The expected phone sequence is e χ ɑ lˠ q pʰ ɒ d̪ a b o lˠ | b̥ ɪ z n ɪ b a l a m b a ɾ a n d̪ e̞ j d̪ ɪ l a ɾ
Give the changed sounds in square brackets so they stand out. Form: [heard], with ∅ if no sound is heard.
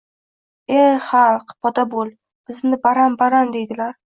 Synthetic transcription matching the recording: e χ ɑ lˠ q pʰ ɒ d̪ a b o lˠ | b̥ ɪ z n ɪ b a [ɾ] a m b a ɾ a n d̪ e̞ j d̪ ɪ l a ɾ